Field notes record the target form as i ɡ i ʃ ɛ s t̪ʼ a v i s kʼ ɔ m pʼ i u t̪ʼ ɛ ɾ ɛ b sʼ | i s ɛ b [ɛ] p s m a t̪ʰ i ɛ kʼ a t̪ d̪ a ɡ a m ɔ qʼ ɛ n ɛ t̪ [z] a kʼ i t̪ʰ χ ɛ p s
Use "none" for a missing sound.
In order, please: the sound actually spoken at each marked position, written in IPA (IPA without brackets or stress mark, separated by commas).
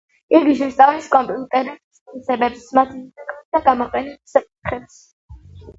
ɛ, s